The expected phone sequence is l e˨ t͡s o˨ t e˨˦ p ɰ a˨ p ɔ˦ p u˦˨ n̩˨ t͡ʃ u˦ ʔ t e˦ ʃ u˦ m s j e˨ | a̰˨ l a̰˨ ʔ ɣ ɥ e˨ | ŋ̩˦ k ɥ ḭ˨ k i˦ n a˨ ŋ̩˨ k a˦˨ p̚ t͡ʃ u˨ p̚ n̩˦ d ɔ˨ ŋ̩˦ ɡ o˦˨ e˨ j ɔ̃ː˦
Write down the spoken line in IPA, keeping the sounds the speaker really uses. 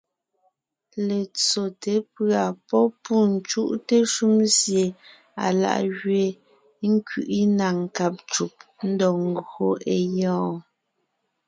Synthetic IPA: l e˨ t͡s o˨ t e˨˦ p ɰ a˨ p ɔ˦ p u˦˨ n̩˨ t͡ʃ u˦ ʔ t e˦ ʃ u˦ m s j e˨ | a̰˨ l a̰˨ ʔ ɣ ɥ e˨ | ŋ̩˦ k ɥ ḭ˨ ʔ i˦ n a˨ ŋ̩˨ k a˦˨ p̚ t͡ʃ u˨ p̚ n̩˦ d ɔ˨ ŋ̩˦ ɡ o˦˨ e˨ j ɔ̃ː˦